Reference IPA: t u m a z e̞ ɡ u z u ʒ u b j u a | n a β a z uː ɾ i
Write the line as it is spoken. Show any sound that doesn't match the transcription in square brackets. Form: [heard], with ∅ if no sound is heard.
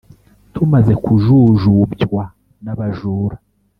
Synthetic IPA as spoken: t u m a z e̞ [k] u [ʒ] u ʒ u b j [w] a | n a β a [ʒ] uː ɾ [a]